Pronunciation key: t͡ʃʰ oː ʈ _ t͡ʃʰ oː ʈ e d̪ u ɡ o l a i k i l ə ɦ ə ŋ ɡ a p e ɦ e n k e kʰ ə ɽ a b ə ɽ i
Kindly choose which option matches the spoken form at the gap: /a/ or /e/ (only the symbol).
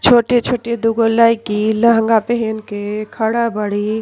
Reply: e